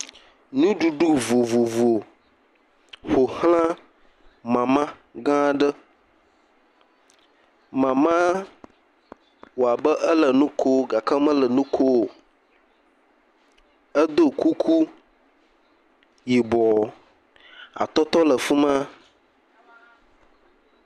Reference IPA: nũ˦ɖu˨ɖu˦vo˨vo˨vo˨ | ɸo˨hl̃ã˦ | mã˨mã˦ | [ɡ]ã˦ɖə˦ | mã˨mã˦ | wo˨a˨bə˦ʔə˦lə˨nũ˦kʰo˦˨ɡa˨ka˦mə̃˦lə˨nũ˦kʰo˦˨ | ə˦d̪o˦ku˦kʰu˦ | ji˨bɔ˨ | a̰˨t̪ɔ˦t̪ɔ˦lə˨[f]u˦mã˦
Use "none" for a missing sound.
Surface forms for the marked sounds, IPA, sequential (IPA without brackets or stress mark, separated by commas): ɡ, f